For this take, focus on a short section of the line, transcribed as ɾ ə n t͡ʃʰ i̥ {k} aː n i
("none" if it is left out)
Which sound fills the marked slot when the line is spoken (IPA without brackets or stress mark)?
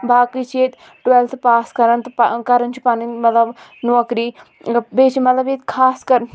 p